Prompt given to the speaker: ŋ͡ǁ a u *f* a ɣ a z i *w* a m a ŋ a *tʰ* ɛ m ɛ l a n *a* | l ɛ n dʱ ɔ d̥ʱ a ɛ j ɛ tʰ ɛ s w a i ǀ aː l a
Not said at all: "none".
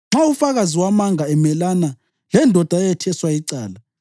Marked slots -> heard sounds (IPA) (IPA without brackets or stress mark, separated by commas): f, w, none, a